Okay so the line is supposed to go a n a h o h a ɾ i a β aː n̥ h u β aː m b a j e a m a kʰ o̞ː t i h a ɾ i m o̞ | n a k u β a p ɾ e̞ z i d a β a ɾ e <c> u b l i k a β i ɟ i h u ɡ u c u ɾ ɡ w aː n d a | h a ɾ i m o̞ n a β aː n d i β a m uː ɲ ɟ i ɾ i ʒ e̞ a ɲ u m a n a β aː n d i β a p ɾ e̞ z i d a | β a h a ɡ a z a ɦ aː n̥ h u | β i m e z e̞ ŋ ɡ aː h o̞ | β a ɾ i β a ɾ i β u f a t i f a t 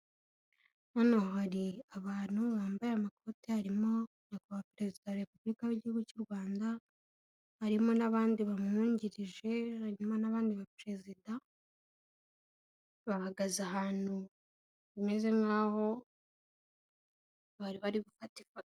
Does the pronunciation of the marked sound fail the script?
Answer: yes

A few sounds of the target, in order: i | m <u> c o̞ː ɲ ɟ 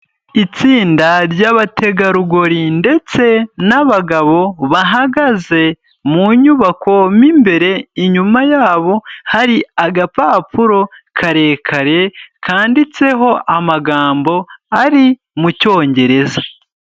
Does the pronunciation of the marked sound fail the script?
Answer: no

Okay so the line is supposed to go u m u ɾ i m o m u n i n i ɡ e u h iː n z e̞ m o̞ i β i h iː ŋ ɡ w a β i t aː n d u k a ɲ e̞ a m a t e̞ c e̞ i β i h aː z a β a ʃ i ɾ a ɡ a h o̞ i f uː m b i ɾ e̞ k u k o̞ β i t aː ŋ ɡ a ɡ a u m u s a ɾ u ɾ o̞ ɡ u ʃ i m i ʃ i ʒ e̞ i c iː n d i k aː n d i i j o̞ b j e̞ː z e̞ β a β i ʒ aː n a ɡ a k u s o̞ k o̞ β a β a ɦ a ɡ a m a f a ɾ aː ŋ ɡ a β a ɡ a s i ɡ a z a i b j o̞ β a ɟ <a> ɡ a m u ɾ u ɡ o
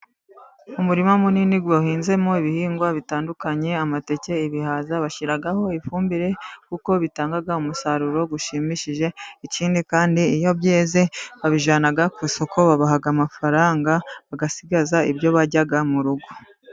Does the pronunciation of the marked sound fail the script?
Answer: no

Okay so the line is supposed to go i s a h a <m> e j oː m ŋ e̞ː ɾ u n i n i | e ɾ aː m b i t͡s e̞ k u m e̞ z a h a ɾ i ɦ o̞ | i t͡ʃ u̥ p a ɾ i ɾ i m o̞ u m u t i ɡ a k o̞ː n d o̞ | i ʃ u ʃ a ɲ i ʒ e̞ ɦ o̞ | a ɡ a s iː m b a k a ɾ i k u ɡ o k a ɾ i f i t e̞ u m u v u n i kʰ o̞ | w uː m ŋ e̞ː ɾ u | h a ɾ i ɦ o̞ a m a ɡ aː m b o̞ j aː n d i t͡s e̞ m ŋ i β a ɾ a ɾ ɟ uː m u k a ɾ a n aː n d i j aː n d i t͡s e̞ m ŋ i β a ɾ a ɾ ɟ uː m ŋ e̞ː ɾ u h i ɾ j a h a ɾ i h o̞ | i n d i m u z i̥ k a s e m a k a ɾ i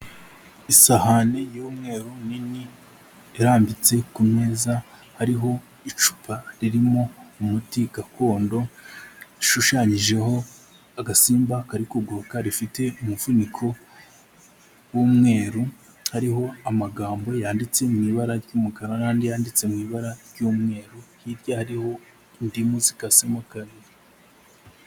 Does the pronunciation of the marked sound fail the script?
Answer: yes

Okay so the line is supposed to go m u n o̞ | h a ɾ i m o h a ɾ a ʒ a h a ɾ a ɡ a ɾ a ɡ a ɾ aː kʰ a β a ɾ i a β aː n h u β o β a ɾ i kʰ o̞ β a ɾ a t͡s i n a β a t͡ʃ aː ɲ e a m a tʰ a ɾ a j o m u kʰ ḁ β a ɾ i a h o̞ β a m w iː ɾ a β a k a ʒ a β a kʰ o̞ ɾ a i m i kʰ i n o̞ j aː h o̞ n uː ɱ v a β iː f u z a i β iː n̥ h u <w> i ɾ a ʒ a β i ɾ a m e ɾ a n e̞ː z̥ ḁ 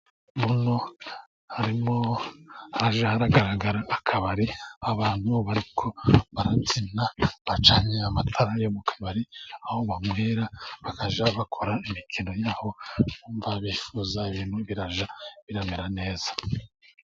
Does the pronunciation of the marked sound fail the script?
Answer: yes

